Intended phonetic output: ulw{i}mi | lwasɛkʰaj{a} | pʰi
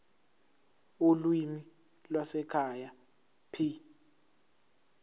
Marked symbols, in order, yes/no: yes, yes

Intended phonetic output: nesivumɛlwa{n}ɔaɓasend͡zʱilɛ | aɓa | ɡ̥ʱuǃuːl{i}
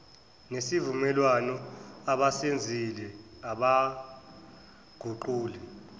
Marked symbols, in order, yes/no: yes, no

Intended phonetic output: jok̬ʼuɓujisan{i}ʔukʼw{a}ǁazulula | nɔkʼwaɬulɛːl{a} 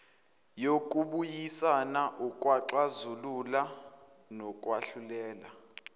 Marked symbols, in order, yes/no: no, yes, yes

